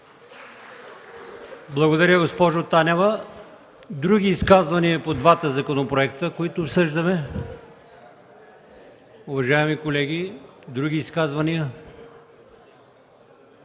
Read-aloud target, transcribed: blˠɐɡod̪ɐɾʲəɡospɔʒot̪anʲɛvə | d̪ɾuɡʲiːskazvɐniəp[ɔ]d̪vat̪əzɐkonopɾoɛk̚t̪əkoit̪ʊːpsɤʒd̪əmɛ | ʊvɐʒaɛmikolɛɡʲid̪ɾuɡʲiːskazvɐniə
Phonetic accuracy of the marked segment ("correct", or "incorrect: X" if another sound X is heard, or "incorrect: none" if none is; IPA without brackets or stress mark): incorrect: o